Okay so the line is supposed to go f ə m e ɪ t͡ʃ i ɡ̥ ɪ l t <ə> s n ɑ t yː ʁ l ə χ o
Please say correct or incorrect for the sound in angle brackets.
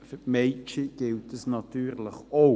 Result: correct